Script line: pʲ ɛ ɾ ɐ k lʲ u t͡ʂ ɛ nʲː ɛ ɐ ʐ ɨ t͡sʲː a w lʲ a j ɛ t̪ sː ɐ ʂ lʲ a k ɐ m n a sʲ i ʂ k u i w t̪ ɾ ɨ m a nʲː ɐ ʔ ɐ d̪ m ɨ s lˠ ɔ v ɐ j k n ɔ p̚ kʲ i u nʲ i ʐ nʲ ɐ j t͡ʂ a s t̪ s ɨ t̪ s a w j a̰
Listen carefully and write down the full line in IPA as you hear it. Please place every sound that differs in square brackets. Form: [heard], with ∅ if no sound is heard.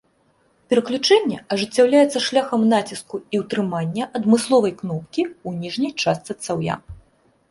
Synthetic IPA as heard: pʲ ɛ ɾ ɐ k lʲ u t͡ʂ ɛ nʲː ɛ ɐ ʐ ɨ t͡sʲː a w lʲ a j ɛ t̪ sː ɐ ʂ lʲ a [x] ɐ m n a [t͡sʲ] i [s] k u i w t̪ ɾ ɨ m a nʲː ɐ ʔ ɐ d̪ m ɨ s lˠ ɔ v ɐ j k n ɔ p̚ kʲ i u nʲ i ʐ nʲ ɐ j t͡ʂ a s t̪ s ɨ t̪ s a w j a̰